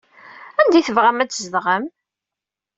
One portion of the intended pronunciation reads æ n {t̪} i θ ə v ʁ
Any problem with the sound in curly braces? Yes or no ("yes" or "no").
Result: yes